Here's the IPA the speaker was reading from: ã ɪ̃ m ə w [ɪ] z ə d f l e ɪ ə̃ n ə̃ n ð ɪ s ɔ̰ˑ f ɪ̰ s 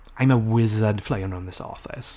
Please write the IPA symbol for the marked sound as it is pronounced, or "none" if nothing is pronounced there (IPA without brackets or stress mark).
ɪ